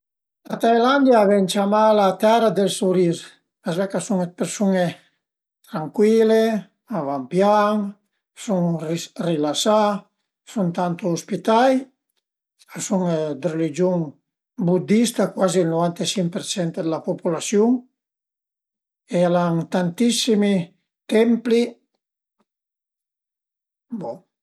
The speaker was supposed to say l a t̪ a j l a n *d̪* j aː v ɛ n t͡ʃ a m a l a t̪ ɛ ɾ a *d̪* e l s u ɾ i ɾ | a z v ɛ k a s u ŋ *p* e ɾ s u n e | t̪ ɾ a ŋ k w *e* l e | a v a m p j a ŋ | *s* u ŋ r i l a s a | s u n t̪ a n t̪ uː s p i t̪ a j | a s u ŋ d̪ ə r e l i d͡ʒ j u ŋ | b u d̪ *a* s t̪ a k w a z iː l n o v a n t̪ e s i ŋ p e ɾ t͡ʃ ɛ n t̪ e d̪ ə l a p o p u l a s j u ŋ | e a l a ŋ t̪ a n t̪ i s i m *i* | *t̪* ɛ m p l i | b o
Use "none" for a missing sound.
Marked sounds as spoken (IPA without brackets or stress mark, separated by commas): d̪, d̪, p, i, s, i, i, t̪